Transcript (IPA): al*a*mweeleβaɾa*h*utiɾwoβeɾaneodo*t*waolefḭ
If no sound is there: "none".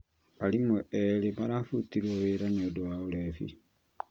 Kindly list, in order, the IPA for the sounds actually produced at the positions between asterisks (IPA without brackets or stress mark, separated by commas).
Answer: i, f, none